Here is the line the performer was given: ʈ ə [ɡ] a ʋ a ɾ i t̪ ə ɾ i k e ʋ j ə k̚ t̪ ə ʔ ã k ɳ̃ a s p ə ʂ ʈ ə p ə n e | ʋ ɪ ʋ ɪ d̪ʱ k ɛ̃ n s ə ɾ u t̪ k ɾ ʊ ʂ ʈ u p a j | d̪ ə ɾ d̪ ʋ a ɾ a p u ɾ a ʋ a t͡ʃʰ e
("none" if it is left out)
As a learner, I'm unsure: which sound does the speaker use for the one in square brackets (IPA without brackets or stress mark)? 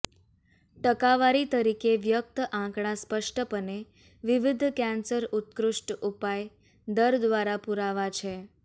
k